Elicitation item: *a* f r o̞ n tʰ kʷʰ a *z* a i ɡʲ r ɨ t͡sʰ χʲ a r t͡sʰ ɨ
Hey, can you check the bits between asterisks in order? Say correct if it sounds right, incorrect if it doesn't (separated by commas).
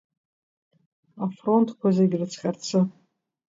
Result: correct, correct